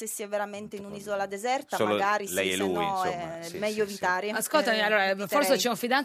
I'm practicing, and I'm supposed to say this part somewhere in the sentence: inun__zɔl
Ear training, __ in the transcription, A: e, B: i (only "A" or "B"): B